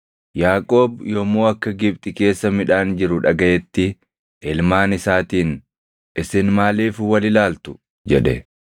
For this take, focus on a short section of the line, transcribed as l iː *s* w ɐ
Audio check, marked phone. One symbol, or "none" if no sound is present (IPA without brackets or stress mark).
f